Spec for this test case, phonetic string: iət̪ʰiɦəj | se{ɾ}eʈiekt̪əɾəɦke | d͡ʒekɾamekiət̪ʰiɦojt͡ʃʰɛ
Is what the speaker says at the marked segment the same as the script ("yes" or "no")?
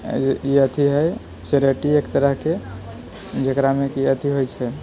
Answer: yes